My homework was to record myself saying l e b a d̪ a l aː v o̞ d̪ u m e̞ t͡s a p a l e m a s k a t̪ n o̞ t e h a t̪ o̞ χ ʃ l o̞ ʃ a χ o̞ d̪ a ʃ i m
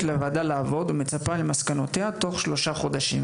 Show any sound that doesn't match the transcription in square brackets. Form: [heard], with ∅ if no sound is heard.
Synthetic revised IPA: l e [v] a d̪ a l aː v o̞ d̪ u m e̞ t͡s a p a l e m a s k a [∅] n o̞ t e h a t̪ o̞ χ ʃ l o̞ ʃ a χ o̞ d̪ a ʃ i m

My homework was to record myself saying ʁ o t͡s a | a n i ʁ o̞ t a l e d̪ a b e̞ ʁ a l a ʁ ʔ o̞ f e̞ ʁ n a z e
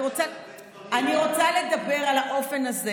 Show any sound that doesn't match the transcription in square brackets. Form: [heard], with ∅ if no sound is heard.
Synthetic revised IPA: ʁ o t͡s a | a n i ʁ o̞ [t͡s] a l e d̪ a b e̞ ʁ a l a [∅] ʔ o̞ f e̞ [∅] n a z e

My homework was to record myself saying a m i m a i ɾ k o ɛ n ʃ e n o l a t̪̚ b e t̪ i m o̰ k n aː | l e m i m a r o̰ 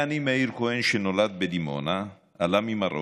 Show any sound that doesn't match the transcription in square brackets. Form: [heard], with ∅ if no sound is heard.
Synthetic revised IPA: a [n] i m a i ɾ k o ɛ n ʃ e n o l a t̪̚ b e [d̪] i m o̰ [∅] n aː | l [a] m i m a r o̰

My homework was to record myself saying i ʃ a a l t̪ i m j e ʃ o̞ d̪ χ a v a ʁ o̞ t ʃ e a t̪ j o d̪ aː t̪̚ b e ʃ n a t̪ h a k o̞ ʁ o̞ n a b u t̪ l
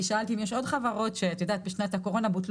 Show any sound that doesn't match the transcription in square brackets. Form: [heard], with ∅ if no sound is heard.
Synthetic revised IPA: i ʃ a a l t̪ i m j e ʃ o̞ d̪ χ a v a ʁ o̞ t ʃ e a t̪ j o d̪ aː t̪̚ b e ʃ n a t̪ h a k o̞ ʁ o̞ n a b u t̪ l

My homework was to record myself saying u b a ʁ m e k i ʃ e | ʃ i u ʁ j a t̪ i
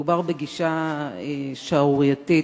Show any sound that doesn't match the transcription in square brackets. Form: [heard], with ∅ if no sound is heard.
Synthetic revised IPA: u b a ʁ [b] e [ɡ] i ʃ [a] | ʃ [a] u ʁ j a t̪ i

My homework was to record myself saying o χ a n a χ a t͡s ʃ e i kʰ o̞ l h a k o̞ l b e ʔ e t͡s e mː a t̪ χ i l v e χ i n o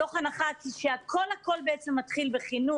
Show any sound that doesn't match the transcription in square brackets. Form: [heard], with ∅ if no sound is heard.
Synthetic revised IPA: o χ a n a χ a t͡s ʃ e [a] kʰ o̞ l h a k o̞ l b e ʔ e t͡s e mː a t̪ χ i l [b] e χ i n [u]

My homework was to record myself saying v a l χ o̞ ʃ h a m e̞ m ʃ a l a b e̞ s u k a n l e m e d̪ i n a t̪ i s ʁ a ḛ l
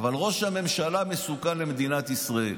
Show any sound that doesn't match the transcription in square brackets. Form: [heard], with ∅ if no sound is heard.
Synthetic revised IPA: v a l [ʁ] o̞ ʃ h a m e̞ m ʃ a l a [m] e̞ s u k a n l e m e d̪ i n a t̪ i s ʁ a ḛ l

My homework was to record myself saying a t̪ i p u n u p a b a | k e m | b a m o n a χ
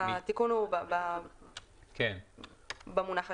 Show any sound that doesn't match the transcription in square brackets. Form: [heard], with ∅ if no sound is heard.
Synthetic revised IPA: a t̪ i [k] u n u [b] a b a | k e [n] | b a m [u] n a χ

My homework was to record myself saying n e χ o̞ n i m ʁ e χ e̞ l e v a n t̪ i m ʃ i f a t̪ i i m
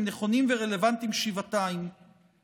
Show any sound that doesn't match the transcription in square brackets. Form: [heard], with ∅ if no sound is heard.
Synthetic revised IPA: n e χ o̞ n i m [v] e [ʁ] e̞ l e v a n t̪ i m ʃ i [v] a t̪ [a] i m

